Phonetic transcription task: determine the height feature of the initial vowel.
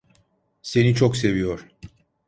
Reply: mid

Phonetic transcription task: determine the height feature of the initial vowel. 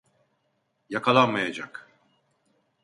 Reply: low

